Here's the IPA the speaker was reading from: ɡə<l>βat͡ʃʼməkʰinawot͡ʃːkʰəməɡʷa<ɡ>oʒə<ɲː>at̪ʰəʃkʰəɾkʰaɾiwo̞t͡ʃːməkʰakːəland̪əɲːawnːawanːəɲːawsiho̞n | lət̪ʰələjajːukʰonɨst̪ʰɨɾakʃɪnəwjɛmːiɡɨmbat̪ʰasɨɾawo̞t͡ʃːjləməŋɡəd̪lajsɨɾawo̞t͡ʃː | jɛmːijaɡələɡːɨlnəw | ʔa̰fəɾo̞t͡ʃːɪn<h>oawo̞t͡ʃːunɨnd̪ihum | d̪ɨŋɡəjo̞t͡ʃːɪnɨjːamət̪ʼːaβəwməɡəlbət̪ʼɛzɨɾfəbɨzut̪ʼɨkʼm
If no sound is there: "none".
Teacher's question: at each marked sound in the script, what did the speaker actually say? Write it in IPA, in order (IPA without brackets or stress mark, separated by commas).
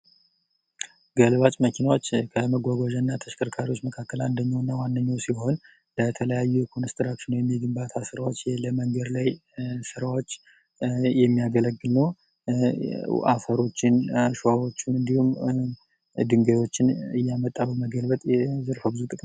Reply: l, ɡ, nː, ʃ